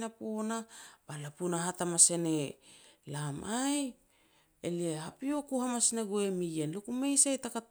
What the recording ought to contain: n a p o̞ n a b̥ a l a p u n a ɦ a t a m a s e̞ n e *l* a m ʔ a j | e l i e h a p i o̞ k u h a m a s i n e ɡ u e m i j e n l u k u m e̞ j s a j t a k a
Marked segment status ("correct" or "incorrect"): correct